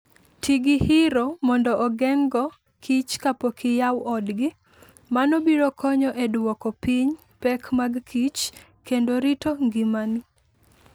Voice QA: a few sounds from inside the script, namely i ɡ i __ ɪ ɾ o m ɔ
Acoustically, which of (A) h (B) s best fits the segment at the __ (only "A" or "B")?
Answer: A